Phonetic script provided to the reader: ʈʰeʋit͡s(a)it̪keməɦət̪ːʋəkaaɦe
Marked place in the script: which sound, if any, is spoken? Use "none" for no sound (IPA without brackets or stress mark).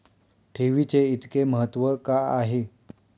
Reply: e